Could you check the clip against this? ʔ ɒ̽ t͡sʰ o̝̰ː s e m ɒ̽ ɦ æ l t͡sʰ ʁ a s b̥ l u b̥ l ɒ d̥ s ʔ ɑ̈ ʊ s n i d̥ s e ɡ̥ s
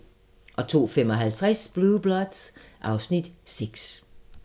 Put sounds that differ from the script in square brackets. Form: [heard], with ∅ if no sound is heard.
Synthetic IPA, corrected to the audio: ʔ ɒ̽ t͡sʰ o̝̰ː [f] e m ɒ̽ ɦ æ l t͡sʰ ʁ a s b̥ l u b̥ l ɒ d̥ s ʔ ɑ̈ ʊ s n i d̥ s e ɡ̥ s